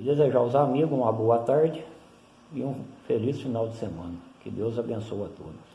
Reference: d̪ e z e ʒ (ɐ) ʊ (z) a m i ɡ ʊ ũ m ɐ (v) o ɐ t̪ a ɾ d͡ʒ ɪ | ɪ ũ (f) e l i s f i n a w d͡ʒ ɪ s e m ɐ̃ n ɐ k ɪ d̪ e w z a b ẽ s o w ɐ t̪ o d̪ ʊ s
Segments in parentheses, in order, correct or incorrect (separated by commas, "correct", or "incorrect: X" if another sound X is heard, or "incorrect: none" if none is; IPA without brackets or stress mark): incorrect: a, correct, incorrect: b, correct